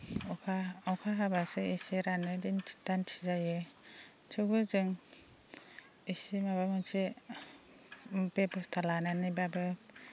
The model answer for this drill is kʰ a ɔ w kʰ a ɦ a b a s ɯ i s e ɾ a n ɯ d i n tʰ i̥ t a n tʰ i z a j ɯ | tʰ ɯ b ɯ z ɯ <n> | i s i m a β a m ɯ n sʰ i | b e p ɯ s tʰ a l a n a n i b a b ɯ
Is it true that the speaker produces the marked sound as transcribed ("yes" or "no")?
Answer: no